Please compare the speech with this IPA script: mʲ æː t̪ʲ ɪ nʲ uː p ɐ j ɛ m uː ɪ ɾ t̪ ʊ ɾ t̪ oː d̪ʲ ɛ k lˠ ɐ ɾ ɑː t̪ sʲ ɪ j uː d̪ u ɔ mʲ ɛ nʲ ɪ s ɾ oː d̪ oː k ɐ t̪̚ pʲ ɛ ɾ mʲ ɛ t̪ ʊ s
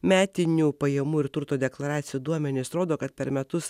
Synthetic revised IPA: mʲ æː t̪ʲ ɪ nʲ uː p ɐ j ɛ m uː ɪ ɾ t̪ ʊ ɾ t̪ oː d̪ʲ ɛ k lˠ ɐ ɾ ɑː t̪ sʲ ɪ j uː d̪ u ɔ mʲ ɛ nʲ ɪ s ɾ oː d̪ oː k ɐ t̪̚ pʲ ɛ ɾ mʲ ɛ t̪ ʊ s